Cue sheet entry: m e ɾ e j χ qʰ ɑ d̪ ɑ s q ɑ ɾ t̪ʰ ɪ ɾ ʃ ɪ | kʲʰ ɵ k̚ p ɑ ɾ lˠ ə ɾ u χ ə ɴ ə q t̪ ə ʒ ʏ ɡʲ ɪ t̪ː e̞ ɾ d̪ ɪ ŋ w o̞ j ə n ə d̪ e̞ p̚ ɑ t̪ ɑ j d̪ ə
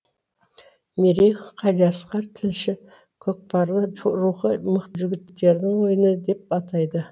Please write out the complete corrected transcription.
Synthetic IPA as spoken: m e ɾ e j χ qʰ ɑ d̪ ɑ s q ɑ ɾ t̪ʰ ɪ l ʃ ɪ | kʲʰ ɵ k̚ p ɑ ɾ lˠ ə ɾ u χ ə m ə q t̪ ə ʒ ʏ ɡʲ ɪ t̪ː e̞ ɾ d̪ ɪ ŋ w o̞ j ə n ə d̪ e̞ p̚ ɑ t̪ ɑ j d̪ ə